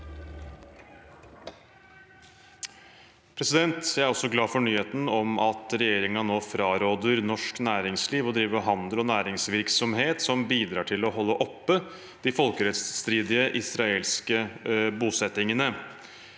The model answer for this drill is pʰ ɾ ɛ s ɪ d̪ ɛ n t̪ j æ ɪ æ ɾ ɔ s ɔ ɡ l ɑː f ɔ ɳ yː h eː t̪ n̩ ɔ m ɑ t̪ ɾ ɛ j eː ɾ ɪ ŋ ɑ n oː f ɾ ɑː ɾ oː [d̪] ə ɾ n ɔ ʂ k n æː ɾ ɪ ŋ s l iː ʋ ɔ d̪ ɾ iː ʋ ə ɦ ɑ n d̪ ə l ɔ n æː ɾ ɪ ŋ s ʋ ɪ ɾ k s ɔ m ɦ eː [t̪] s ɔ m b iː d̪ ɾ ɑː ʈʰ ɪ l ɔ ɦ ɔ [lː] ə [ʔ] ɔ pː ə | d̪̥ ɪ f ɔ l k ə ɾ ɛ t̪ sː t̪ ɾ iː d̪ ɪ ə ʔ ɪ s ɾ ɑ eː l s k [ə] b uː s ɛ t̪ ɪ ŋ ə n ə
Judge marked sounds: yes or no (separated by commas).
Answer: yes, yes, yes, yes, yes